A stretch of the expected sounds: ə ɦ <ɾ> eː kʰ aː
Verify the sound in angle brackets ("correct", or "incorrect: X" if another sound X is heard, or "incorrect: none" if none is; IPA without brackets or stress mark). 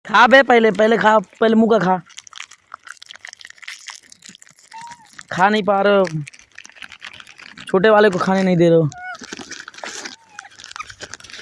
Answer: incorrect: l